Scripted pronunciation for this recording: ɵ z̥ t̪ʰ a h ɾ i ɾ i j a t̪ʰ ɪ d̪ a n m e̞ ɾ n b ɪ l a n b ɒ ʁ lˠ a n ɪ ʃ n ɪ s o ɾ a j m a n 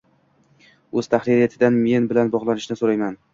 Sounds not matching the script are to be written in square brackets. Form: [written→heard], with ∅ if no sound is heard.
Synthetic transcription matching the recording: ɵ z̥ t̪ʰ a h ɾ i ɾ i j a t̪ʰ ɪ d̪ a n m e̞ [ɾ→∅] n b ɪ l a n b ɒ ʁ lˠ a n ɪ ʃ n ɪ s o ɾ a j m a n